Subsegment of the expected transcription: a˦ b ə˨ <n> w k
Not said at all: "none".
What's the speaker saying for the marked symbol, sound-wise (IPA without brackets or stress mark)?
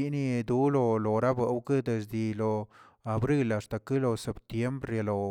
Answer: none